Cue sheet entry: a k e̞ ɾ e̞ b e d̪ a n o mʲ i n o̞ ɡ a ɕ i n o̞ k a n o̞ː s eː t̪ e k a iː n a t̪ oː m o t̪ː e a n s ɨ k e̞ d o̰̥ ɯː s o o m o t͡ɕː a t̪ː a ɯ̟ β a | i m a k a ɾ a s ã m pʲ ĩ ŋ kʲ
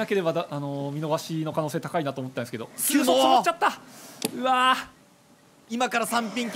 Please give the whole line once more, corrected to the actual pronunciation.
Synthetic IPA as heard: a k e̞ ɾ e̞ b a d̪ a n o mʲ i n o̞ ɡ a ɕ i n o̞ k a n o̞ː s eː t̪ a k a i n a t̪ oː m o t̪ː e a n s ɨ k e̞ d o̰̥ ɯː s o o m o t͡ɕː a t̪ː a ɯ̟ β a | i m a k a ɾ a s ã m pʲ ĩ ŋ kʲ